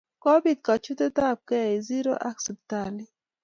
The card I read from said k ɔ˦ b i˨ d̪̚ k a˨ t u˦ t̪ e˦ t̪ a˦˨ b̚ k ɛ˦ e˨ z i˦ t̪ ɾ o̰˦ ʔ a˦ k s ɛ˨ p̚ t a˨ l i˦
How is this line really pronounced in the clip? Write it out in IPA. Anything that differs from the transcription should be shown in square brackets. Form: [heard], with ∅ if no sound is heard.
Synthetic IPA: k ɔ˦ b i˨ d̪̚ k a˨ [t͡ʃ] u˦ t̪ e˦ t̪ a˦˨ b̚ k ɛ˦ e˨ z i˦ [∅] ɾ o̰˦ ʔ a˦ k s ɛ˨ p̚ t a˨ l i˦